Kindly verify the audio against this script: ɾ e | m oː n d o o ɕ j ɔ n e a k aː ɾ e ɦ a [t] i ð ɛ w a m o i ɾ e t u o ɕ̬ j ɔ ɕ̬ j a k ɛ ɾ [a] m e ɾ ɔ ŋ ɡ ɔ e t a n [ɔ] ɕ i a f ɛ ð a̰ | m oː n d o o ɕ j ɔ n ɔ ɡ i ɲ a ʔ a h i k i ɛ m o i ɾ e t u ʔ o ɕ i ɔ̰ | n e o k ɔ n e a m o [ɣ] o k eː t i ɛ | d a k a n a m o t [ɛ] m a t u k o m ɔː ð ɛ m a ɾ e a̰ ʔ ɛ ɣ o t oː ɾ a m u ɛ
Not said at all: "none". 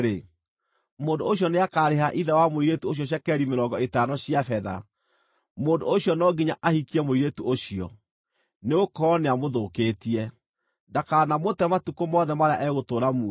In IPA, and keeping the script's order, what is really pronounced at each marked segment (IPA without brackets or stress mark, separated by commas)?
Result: ʔ, i, ɔ, ð, ɛ